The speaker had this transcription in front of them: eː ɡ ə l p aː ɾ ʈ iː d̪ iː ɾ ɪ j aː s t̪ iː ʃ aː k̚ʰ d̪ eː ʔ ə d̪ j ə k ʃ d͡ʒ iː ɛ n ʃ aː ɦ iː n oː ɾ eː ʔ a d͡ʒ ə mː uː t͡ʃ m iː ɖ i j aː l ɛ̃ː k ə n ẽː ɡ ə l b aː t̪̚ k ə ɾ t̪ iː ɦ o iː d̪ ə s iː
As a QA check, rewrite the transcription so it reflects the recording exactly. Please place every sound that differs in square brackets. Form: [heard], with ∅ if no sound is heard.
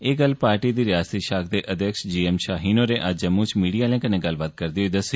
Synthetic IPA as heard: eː ɡ ə l p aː ɾ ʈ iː d̪ iː ɾ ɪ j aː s t̪ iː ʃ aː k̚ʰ d̪ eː ʔ ə d̪ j ə k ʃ d͡ʒ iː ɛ [m] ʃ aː ɦ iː n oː ɾ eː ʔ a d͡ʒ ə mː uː t͡ʃ m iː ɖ i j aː l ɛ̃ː k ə n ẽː ɡ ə l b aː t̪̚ k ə ɾ [d̪] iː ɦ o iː d̪ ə s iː